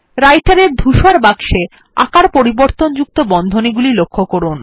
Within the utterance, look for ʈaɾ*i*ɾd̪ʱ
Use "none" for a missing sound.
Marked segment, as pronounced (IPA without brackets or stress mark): e